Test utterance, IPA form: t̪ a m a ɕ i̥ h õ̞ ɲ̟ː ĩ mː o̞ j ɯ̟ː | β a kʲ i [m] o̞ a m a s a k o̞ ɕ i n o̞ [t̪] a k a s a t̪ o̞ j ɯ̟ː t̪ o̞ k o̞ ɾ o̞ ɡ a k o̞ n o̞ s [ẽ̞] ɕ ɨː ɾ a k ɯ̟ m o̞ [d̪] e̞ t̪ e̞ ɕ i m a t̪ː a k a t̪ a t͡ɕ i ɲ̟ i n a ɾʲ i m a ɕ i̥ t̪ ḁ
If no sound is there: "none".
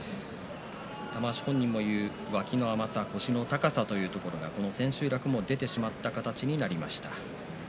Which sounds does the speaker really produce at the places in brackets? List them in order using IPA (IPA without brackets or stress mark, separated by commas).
n, t̪, ẽ̞, d̪